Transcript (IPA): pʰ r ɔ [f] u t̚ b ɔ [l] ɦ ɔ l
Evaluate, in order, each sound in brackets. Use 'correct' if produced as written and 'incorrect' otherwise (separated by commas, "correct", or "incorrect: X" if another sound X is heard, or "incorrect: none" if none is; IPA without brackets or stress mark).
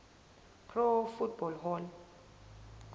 correct, correct